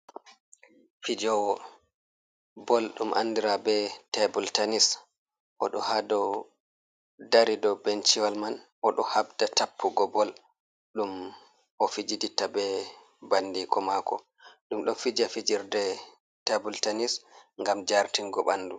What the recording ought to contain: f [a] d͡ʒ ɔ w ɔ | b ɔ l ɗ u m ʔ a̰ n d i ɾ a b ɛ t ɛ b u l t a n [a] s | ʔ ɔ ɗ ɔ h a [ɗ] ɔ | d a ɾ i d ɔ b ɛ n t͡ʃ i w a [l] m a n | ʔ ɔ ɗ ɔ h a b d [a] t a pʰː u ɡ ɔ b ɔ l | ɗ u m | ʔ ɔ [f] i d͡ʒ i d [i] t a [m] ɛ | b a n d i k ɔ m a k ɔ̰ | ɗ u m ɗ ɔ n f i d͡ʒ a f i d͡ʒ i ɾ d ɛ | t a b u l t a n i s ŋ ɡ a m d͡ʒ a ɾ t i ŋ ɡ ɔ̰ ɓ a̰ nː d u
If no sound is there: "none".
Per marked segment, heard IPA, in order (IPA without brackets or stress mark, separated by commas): i, i, d, l, a, f, i, b